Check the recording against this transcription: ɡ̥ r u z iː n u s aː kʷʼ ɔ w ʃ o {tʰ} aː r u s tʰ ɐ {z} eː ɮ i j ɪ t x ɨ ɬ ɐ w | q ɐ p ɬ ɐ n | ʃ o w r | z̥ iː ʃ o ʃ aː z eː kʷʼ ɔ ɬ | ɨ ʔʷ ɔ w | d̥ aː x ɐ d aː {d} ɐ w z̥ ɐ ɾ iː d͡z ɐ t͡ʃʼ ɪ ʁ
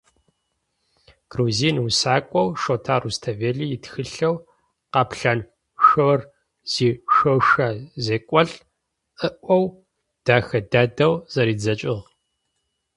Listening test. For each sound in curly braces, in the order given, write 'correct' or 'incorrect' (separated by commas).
correct, incorrect, correct